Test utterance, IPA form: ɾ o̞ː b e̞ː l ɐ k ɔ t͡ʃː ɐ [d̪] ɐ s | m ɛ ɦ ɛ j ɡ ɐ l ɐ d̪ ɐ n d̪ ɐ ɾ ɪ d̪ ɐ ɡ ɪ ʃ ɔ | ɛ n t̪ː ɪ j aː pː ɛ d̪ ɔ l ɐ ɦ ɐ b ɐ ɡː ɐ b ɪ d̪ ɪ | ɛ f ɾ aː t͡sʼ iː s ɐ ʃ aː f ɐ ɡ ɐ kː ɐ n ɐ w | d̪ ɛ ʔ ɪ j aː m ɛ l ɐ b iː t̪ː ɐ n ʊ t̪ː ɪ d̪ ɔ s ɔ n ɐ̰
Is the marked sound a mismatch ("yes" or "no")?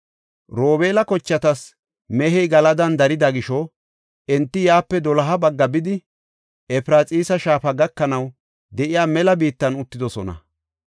yes